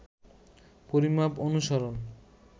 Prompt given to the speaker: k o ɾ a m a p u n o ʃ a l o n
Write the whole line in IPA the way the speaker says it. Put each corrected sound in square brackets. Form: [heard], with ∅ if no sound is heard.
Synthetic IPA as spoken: [p] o ɾ [i] m a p [o] n [u] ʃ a [ɾ] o n